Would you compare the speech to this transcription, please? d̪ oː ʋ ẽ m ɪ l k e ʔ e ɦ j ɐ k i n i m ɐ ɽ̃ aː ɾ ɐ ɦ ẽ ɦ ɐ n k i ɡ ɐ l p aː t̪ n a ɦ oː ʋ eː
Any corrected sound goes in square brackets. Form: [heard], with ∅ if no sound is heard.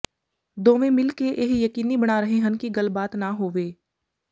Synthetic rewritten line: d̪ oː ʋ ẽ m ɪ l k e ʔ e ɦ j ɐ k [iː] n i [b] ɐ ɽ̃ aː ɾ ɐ ɦ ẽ ɦ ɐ n k i ɡ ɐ l [b] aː t̪ n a ɦ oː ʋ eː